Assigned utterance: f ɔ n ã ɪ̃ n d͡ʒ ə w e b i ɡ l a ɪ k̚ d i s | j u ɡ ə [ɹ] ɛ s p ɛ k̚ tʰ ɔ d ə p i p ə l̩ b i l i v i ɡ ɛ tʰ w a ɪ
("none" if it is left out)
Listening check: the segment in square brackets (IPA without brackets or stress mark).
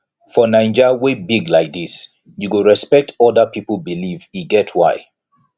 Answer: ɹ